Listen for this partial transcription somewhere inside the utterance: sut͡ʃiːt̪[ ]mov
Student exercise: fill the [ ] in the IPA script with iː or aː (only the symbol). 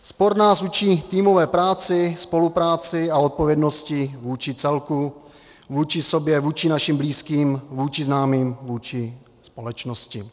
iː